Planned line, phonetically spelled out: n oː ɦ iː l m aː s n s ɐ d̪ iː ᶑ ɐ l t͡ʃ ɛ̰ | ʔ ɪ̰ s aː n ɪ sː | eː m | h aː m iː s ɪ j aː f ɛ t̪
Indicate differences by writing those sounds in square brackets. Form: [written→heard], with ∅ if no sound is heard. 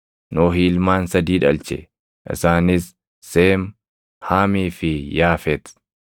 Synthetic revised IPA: n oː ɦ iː l m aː [s→∅] n s ɐ d̪ iː ᶑ ɐ l t͡ʃ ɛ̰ | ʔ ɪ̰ s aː n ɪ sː | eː m | h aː m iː [s→f] ɪ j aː f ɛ t̪

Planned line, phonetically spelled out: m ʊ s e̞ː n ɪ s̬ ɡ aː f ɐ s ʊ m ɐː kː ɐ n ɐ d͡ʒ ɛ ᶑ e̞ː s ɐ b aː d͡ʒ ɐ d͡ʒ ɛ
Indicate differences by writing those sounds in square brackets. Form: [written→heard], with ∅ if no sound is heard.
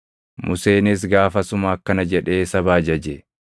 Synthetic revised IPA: m ʊ s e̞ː n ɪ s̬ ɡ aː f ɐ s ʊ m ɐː kː ɐ n ɐ d͡ʒ ɛ ᶑ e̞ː s ɐ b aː d͡ʒ ɐ d͡ʒ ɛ

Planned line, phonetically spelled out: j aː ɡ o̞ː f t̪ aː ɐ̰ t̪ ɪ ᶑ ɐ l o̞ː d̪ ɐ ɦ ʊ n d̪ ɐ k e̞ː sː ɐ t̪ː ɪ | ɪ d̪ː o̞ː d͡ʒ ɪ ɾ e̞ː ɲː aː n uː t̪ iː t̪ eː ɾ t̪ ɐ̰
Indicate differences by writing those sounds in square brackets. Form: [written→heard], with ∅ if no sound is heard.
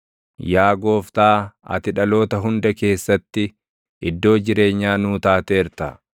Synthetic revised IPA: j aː ɡ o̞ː f t̪ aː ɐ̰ t̪ ɪ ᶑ ɐ l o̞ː [d̪→t̪] ɐ ɦ ʊ n d̪ ɐ k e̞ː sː ɐ t̪ː ɪ | ɪ d̪ː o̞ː d͡ʒ ɪ ɾ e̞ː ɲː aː n uː t̪ [iː→aː] t̪ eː ɾ t̪ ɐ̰

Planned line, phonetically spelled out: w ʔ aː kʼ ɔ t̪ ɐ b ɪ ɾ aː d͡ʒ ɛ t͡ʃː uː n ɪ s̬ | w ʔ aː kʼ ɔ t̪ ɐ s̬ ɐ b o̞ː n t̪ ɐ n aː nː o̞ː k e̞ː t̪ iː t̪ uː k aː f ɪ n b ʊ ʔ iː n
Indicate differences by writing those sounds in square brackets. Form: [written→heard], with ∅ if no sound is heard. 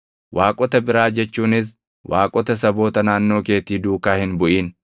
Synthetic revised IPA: w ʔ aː kʼ ɔ t̪ ɐ b ɪ ɾ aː d͡ʒ ɛ t͡ʃː uː n ɪ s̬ | w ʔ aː kʼ ɔ t̪ ɐ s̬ ɐ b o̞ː [n→∅] t̪ ɐ n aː nː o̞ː k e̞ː t̪ iː [t̪→d̪] uː k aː [f→h] ɪ n b ʊ ʔ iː n

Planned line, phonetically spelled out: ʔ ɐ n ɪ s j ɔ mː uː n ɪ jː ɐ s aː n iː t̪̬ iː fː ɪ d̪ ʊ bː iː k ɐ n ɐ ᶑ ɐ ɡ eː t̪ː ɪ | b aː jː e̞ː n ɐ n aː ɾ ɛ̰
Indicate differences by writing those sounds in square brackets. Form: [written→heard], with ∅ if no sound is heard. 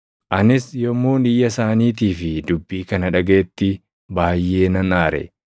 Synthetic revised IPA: ʔ ɐ n ɪ s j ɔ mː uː n ɪ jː ɐ s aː n iː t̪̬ iː [fː→f] ɪ d̪ ʊ bː iː k ɐ n ɐ ᶑ ɐ ɡ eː t̪ː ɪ | b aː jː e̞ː n ɐ n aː ɾ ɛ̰

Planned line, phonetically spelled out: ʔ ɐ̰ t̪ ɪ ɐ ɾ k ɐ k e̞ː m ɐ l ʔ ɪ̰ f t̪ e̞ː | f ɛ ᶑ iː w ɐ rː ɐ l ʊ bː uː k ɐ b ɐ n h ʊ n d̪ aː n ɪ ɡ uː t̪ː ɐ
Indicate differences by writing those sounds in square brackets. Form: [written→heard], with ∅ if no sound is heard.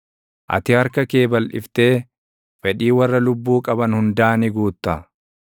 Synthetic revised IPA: ʔ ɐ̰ t̪ ɪ ɐ ɾ k ɐ k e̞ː [m→b] ɐ l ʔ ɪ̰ f t̪ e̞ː | f ɛ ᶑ iː w ɐ rː ɐ l ʊ bː uː [k→kʼ] ɐ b ɐ n h ʊ n d̪ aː n ɪ ɡ uː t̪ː ɐ

